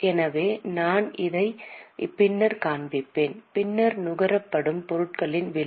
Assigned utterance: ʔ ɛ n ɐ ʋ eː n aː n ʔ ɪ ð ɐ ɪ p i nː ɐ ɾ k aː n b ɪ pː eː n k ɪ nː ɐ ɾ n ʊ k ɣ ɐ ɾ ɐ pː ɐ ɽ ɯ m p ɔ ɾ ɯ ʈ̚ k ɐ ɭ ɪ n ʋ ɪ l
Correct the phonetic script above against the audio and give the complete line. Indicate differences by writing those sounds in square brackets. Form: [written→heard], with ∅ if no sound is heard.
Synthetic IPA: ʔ ɛ n ɐ ʋ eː n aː n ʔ ɪ ð ɐ ɪ p [i→ɪ] nː ɐ ɾ k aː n b ɪ pː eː n [k→p] ɪ nː ɐ ɾ n ʊ [k→∅] ɣ ɐ ɾ ɐ pː ɐ ɽ ɯ m p ɔ ɾ ɯ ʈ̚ k ɐ ɭ ɪ n ʋ ɪ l